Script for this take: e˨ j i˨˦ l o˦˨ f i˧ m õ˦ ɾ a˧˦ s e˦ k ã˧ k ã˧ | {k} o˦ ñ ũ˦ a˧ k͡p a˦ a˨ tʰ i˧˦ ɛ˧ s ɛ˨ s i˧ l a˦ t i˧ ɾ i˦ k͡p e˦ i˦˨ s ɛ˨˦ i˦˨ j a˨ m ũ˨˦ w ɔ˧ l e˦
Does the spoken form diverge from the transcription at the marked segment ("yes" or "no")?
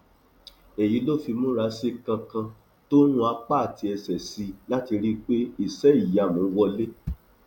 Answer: yes